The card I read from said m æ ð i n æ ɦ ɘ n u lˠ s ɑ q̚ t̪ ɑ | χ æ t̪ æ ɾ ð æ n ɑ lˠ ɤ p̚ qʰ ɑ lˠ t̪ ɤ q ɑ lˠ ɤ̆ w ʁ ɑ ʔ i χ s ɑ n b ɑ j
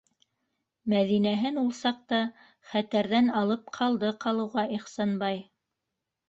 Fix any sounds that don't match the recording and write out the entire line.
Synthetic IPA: m æ ð i n æ ɦ ɘ n u lˠ s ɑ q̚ t̪ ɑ | χ æ t̪ æ ɾ ð æ n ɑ lˠ ɤ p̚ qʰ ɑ lˠ d̪ ɤ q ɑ lˠ ɤ̆ w ʁ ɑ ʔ i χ s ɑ n b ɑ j